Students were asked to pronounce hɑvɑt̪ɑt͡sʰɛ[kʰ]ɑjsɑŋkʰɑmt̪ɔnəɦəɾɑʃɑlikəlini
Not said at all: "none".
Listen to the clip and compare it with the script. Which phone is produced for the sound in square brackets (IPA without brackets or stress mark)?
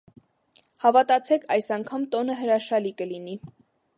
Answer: kʰ